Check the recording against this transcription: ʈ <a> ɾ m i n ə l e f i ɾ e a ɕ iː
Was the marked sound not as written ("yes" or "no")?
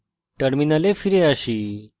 yes